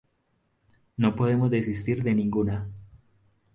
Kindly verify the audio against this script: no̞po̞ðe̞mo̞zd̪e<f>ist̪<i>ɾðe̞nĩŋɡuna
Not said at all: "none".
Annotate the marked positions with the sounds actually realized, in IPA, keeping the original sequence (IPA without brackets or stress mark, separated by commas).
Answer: s, i